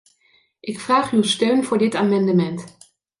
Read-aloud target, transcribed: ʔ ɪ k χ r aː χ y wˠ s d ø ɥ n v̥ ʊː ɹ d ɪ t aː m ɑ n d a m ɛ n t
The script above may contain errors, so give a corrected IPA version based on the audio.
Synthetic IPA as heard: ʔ ɪ k f r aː χ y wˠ s t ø ɥ n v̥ ʊː ɹ d ɪ t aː m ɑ n d ə m ɛ n t